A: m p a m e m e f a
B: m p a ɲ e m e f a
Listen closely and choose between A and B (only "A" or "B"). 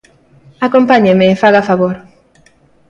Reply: B